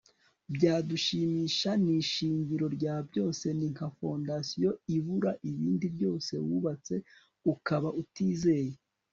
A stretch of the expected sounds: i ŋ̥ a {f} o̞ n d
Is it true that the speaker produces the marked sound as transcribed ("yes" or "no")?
yes